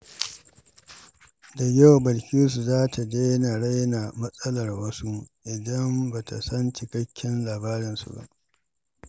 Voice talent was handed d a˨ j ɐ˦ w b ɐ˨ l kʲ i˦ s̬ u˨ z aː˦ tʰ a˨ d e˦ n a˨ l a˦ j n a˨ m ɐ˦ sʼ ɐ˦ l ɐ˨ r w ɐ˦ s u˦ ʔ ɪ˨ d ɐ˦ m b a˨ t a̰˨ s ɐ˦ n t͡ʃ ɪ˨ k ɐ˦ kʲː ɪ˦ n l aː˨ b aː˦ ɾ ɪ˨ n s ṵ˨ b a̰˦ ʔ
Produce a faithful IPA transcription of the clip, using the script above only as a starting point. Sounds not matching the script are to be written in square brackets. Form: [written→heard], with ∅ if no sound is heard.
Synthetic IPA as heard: d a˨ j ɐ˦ w b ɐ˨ l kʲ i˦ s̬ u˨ z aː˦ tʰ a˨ d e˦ n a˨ [l→ɽ] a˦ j n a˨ m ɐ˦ sʼ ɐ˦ l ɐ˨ r w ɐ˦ s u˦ ʔ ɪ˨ d ɐ˦ m b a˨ t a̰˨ s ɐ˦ n t͡ʃ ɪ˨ k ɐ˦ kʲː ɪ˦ n l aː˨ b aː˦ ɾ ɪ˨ n s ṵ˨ b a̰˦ ʔ